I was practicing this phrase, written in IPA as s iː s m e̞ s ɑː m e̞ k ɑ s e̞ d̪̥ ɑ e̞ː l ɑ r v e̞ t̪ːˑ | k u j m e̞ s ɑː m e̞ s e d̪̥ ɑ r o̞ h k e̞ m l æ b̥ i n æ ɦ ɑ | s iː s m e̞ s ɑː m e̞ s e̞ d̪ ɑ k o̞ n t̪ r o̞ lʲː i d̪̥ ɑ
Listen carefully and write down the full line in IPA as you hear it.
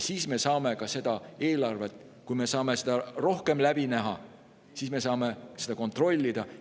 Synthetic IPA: s iː s m e̞ s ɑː m e̞ k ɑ s e̞ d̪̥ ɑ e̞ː l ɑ r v e̞ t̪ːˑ | k u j m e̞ s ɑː m e̞ s e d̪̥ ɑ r o̞ h k e̞ m l æ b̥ i n æ ɦ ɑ | s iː s m e̞ s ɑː m e̞ s e̞ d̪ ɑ k o̞ n t̪ r o̞ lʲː i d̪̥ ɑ